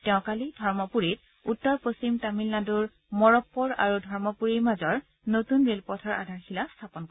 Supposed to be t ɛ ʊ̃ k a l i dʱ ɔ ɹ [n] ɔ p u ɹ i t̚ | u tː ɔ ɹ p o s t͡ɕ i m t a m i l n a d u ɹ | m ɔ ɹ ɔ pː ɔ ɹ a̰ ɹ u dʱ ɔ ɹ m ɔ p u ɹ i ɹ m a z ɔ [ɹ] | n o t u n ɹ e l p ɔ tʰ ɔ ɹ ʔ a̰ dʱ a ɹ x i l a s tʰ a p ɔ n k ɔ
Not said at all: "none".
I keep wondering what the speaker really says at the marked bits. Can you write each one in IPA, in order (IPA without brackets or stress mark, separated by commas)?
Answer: m, ɹ